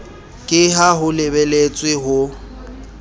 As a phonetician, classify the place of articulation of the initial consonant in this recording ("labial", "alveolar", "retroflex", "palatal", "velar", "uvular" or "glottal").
velar